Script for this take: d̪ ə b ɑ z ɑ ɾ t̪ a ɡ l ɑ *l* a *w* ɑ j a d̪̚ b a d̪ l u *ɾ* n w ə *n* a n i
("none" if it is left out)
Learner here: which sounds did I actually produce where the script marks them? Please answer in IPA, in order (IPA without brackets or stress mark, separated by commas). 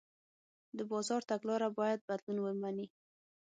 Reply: ɾ, b, none, m